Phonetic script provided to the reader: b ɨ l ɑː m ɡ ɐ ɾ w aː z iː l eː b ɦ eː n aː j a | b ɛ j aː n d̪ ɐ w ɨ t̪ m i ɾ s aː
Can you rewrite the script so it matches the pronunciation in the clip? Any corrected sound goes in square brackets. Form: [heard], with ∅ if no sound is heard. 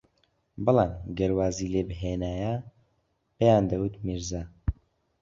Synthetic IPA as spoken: b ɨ l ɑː m ɡ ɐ ɾ w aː z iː l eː b ɦ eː n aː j a | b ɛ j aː n d̪ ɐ w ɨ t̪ m i ɾ [z] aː